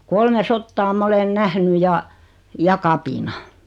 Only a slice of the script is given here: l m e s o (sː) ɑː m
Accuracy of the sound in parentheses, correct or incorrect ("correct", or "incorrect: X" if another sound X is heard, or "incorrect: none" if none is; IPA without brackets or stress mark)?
incorrect: tː